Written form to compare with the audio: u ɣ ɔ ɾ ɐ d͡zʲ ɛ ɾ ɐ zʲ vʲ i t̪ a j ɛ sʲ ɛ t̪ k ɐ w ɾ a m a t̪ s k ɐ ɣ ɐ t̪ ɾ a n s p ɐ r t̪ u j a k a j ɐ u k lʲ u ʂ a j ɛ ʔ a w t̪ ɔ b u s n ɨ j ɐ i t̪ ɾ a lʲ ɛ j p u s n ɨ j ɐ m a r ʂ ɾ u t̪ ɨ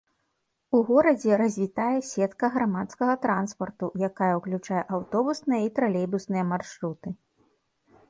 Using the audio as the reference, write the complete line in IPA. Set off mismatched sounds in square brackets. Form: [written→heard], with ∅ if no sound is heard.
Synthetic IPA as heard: u ɣ ɔ ɾ ɐ d͡zʲ ɛ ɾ ɐ zʲ vʲ i t̪ a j ɛ sʲ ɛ t̪ k ɐ [w→ɣ] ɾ a m a t̪ s k ɐ ɣ ɐ t̪ ɾ a n s p ɐ r t̪ u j a k a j ɐ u k lʲ u [ʂ→t͡ʂ] a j ɛ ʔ a w t̪ ɔ b u s n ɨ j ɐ i t̪ ɾ a lʲ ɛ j [p→b] u s n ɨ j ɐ m a r ʂ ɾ u t̪ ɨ